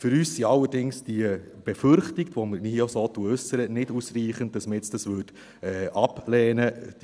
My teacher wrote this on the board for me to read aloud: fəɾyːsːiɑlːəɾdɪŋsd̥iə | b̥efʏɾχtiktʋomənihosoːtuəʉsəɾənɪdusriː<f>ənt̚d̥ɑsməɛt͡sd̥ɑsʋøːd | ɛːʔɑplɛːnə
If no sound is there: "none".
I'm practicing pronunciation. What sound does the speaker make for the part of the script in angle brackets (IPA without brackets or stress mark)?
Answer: χ